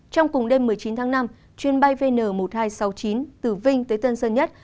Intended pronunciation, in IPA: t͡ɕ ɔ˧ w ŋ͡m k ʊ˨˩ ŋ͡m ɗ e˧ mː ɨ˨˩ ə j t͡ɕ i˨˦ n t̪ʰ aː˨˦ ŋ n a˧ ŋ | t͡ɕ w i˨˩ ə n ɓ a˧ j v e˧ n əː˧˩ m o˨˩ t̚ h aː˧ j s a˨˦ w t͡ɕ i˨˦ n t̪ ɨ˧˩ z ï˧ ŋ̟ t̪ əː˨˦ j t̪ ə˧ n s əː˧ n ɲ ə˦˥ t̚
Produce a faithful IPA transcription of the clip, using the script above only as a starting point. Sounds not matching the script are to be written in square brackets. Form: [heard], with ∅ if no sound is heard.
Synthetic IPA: t͡ɕ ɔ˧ w ŋ͡m k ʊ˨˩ ŋ͡m ɗ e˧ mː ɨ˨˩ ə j t͡ɕ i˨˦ n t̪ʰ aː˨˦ ŋ n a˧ [m] | t͡ɕ w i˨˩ ə n ɓ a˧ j v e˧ n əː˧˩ m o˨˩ t̚ h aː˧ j s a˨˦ w t͡ɕ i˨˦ n t̪ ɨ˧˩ [v] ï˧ ŋ̟ t̪ əː˨˦ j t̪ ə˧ n s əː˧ n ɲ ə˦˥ t̚